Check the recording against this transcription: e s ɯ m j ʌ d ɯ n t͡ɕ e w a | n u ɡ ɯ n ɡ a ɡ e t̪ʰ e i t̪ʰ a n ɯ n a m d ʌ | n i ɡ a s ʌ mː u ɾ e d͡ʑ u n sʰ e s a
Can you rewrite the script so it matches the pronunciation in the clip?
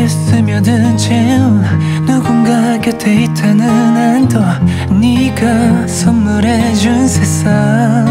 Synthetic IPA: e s ɯ m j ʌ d ɯ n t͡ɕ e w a | n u ɡ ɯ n ɡ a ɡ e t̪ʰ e i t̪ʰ a n ɯ n a n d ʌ | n i ɡ a s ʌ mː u ɾ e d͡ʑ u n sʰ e s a